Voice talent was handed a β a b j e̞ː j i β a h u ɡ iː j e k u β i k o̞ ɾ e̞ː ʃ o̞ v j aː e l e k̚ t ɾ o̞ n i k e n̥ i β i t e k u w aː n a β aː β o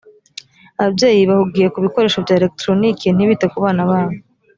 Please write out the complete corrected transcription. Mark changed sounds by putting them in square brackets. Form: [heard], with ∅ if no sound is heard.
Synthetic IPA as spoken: a β a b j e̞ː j i β a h u ɡ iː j e k u β i k o̞ ɾ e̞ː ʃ o̞ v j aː e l e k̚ t ɾ o̞ n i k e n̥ i β i t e k u [β] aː n a β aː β o

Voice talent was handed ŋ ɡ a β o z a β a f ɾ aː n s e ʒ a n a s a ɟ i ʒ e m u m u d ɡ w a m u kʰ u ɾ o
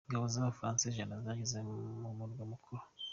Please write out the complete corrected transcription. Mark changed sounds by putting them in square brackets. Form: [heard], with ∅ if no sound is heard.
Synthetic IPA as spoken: ŋ ɡ a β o z a β a f ɾ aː n s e ʒ a n a [z] a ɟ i [z] e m u m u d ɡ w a m u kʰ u ɾ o

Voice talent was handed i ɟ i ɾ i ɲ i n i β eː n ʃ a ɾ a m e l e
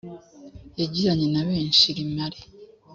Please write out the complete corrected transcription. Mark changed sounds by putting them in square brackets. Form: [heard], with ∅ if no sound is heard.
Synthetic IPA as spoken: [e] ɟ i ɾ [a] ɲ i n [a] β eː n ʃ [i] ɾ [i] m [a] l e

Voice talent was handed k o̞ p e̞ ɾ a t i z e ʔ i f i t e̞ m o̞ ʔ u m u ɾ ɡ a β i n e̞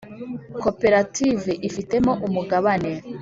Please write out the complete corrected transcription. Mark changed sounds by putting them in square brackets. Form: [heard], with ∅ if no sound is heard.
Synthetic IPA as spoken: k o̞ p e̞ ɾ a t i [v] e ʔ i f i t e̞ m o̞ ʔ u m u [∅] ɡ a β [a] n e̞

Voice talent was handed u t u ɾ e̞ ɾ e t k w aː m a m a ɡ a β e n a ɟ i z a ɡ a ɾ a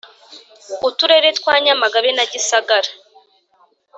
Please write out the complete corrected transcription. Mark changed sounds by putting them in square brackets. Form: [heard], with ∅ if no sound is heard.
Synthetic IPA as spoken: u t u ɾ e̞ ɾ e t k w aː [ɲ] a m a ɡ a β e n a ɟ i [s] a ɡ a ɾ a

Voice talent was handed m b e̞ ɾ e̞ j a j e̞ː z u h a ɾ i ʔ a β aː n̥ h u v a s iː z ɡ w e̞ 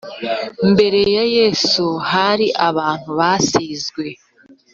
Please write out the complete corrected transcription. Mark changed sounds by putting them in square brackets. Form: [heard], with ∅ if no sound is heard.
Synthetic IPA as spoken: m b e̞ ɾ e̞ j a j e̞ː [s] u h a ɾ i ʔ a β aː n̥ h u [β] a s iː z ɡ w e̞

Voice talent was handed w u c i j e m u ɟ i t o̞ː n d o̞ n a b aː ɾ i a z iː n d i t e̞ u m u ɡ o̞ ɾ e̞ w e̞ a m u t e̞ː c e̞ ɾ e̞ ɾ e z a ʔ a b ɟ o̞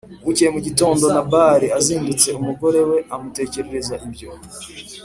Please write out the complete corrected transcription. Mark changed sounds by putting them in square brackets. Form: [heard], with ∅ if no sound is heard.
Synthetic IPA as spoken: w u c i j e m u ɟ i t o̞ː n d o̞ n a b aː ɾ i a z iː n d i [t͡s] e̞ u m u ɡ o̞ ɾ e̞ w e̞ a m u t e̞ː c e̞ ɾ e̞ ɾ e z a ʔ [i] b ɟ o̞

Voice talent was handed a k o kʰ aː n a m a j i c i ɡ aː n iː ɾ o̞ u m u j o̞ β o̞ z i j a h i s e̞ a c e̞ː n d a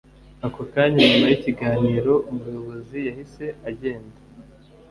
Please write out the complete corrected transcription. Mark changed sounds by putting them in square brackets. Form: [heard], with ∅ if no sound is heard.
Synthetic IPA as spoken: a k o [k] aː [ɲ] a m a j i c i ɡ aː n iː ɾ o̞ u m u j o̞ β o̞ z i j a h i s e̞ a [ɟ] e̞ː n d a

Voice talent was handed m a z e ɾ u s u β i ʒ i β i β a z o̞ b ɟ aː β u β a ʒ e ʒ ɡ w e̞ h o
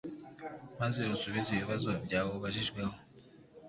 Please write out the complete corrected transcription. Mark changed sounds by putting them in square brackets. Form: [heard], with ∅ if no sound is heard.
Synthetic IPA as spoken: m a z e ɾ u s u β i [z] i β i β a z o̞ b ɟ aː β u β a ʒ [i] ʒ ɡ w e̞ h o

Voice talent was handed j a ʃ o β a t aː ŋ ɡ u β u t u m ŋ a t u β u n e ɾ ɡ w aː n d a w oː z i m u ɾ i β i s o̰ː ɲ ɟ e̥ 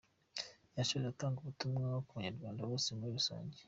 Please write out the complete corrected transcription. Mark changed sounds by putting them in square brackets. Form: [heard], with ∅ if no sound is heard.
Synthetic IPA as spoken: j a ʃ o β a t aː ŋ ɡ u β u t u m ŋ a [k] u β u [ɲ] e ɾ ɡ w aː n d a w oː [s] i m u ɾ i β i s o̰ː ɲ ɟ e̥

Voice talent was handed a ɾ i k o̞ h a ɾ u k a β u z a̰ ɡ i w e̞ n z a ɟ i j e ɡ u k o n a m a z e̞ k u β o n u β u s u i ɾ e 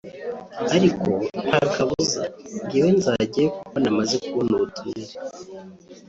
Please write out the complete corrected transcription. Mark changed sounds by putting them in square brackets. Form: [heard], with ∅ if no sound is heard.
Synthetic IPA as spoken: a ɾ i k o̞ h a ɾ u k a β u z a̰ ɡ i w e̞ n z a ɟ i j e [k] u k o n a m a z e̞ k u β o n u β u [t] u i ɾ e

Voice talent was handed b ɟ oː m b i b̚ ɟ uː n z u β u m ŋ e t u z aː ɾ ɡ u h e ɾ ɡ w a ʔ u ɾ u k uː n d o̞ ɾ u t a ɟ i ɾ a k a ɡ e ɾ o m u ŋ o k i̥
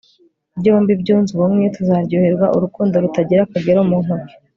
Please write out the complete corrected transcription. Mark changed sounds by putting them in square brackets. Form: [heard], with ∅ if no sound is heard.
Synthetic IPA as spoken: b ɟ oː m b i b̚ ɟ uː n z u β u m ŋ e t u z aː ɾ [ɟ] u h e ɾ ɡ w a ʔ u ɾ u k uː n d o̞ ɾ u t a ɟ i ɾ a k a ɡ e ɾ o m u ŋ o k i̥

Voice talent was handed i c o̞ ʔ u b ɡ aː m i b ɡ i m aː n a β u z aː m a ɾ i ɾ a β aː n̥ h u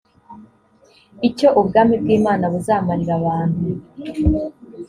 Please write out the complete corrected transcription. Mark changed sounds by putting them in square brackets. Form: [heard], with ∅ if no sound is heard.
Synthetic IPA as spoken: i c o̞ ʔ u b ɡ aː m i b ɡ [iː] m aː n a β u z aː m a ɾ i ɾ a β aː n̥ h u

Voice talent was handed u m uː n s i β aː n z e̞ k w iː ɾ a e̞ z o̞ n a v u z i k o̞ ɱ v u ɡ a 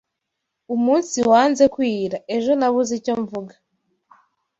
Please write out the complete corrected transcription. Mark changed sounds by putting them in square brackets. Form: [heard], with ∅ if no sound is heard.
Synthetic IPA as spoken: u m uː n s i [w] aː n z e̞ k w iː ɾ a e̞ [ʒ] o̞ n a [β] u z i [c] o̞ ɱ v u ɡ a

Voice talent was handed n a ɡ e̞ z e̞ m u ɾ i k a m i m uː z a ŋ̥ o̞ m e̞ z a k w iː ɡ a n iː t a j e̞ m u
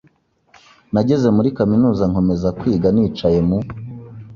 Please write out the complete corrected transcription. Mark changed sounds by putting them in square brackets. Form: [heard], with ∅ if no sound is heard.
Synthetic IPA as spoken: n a [ɟ] e̞ z e̞ m u ɾ i k a m i [n] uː z a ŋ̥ o̞ m e̞ z a k w iː ɡ a n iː [t͡ʃ] a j e̞ m u

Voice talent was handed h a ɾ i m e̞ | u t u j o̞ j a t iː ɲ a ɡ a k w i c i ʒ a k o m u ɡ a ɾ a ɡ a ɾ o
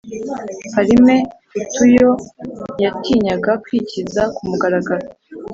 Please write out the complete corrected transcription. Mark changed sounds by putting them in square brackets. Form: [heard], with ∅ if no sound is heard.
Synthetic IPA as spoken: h a ɾ i m e̞ | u t u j o̞ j a t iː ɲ a ɡ a k w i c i [z] a k [u] m u ɡ a ɾ a ɡ a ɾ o

